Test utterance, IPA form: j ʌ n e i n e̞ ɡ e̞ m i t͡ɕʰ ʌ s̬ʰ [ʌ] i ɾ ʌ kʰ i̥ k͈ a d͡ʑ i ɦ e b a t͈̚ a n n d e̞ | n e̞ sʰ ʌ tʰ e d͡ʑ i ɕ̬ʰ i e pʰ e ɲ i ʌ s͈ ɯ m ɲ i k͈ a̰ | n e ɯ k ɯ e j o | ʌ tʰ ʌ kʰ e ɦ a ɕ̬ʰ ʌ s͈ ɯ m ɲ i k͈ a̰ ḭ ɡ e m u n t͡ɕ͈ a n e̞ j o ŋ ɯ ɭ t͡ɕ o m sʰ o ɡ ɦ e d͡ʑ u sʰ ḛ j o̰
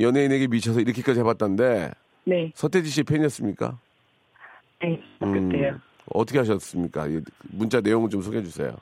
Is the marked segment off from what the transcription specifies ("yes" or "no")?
no